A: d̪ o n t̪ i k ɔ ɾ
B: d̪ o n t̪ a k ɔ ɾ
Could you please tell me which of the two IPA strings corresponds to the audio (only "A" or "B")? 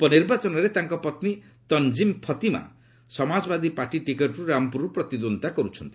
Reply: B